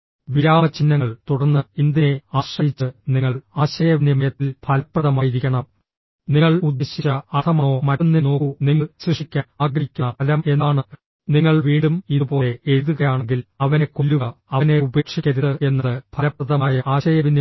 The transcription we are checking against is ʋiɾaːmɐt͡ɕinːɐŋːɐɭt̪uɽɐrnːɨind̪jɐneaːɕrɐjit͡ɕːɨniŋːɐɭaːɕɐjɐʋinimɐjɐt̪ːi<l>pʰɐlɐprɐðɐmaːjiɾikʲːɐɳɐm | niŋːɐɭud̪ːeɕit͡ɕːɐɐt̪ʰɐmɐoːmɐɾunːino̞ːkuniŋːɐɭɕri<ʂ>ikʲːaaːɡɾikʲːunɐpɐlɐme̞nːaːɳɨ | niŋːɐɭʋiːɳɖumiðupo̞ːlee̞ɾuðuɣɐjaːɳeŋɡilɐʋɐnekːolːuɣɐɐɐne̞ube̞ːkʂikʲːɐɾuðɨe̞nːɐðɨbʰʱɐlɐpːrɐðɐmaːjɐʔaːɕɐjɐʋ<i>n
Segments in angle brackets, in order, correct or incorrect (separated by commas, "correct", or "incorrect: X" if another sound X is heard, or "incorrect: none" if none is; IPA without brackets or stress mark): correct, correct, correct